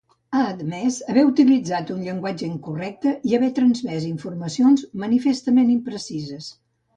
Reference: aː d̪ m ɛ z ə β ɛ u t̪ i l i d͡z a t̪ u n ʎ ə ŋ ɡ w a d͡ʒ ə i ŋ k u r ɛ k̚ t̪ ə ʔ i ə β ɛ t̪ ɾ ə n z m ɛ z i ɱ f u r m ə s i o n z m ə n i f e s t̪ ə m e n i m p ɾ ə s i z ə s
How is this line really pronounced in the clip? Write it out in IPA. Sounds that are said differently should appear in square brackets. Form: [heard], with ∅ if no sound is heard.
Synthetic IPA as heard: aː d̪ m ɛ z ə β ɛ u t̪ i l i d͡z a t̪ u n ʎ ə ŋ ɡ w a d͡ʒ ə i ŋ k u r ɛ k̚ t̪ ə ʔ i ə β ɛ t̪ ɾ ə n z m ɛ z i ɱ f u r m ə s i o n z m ə n i f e s t̪ ə m e n i m p ɾ ə s i z ə s